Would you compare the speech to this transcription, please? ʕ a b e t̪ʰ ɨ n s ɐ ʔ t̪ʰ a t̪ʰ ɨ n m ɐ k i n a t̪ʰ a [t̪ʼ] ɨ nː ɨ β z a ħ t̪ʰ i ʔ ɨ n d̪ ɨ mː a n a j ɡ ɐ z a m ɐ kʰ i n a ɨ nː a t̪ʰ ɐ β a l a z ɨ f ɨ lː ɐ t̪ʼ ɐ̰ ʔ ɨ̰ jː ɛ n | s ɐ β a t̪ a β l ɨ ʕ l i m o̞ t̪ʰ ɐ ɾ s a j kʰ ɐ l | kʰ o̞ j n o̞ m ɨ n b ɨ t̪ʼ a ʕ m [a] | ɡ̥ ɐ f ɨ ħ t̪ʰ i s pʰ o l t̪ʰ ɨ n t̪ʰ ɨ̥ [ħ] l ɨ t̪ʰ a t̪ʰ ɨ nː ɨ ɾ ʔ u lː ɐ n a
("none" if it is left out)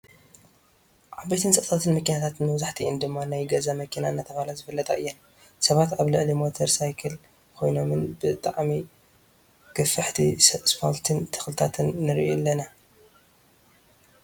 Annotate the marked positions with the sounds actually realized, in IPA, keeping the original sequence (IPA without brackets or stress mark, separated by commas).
t̪, i, x